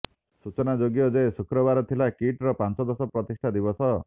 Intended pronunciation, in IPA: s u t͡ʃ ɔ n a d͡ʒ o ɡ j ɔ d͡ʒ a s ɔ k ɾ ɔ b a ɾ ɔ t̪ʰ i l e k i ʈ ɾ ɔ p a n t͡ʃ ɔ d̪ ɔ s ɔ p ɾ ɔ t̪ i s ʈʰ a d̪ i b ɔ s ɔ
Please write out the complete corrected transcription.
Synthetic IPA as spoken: s u t͡ʃ ɔ n a d͡ʒ o ɡ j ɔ d͡ʒ e s u k ɾ ɔ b a ɾ ɔ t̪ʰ i l a k i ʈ ɾ ɔ p a n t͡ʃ ɔ d̪ ɔ s ɔ p ɾ ɔ t̪ i s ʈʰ a d̪ i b ɔ s ɔ